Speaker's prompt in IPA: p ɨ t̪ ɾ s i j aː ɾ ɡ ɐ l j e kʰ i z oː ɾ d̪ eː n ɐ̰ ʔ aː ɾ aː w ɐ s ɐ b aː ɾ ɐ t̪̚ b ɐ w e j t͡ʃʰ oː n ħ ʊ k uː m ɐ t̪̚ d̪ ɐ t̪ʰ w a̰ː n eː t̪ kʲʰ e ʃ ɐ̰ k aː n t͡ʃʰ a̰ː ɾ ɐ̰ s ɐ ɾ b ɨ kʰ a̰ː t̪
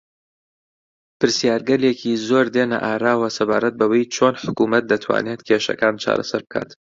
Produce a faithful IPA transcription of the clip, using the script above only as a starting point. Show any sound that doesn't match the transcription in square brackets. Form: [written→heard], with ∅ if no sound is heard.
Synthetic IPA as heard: p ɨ [t̪→∅] ɾ s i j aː ɾ ɡ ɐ l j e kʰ i z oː ɾ d̪ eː n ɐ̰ ʔ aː ɾ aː w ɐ s ɐ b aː ɾ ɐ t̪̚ b ɐ w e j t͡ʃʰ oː n ħ ʊ k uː m ɐ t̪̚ d̪ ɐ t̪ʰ w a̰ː n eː t̪ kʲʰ e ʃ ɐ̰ k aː n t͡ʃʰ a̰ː ɾ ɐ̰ s ɐ ɾ b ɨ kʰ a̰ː t̪